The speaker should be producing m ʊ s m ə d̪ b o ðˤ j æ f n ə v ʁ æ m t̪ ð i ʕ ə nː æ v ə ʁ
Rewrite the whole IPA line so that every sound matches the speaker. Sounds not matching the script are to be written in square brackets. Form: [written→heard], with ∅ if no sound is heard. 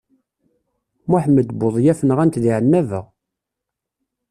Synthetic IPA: m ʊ [s→ħ] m ə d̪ b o ðˤ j æ f n ə [v→∅] ʁ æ [m→n] t̪ ð i ʕ ə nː æ v ə ʁ